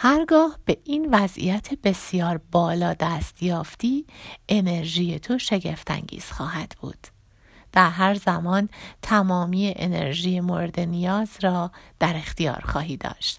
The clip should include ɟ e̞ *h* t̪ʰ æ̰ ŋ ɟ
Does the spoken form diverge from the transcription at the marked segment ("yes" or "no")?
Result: yes